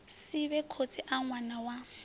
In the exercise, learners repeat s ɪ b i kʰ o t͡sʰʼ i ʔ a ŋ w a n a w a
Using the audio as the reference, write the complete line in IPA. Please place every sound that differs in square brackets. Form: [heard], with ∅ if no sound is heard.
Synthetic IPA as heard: s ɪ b [ɛ] kʰ o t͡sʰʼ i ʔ a ŋ w a n a w a